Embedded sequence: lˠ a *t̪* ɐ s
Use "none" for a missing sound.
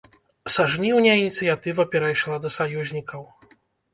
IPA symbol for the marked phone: d̪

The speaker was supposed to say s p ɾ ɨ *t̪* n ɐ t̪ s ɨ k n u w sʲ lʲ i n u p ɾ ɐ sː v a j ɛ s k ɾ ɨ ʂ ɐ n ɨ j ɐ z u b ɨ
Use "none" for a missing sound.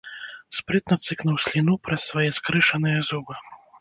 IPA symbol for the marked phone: t̪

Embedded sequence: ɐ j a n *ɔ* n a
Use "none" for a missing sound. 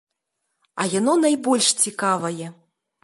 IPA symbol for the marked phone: ɔ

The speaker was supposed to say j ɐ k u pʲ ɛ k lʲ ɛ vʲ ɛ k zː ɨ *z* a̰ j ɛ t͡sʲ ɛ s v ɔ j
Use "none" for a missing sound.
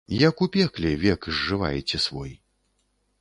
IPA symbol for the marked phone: v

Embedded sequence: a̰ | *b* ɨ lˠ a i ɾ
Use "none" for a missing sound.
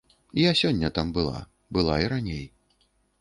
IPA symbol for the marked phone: b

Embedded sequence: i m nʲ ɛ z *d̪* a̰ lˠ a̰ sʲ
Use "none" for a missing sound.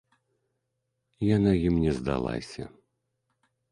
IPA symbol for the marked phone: d̪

